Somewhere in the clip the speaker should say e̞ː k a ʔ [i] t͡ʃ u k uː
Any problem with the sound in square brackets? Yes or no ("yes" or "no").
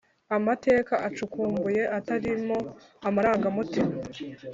yes